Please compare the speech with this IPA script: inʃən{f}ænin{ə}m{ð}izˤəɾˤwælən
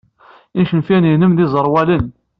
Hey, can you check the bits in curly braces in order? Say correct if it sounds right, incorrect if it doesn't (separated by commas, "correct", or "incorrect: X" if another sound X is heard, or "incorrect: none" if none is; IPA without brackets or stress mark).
correct, correct, correct